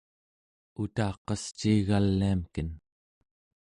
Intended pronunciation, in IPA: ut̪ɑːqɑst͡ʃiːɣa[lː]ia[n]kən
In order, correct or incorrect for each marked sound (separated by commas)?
correct, incorrect